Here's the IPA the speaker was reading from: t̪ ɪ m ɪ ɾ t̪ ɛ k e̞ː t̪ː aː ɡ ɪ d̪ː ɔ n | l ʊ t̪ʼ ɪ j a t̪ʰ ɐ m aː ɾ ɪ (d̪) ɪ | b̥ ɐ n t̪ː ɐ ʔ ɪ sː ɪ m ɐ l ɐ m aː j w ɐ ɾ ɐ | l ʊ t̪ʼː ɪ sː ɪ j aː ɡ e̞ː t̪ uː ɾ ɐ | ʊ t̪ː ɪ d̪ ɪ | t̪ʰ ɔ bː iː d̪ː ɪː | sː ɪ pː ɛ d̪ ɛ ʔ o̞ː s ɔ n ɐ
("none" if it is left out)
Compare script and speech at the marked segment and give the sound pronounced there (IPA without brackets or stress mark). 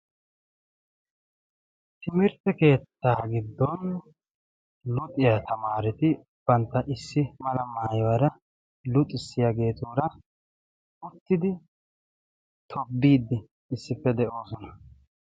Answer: t̪